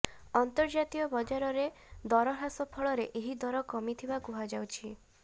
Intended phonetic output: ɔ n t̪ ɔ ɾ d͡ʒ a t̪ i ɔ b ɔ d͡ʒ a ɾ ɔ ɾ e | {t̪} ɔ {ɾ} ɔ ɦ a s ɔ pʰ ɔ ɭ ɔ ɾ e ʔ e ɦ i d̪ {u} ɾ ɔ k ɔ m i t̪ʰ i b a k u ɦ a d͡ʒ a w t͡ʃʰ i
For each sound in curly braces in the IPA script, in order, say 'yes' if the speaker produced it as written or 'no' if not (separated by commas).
no, yes, no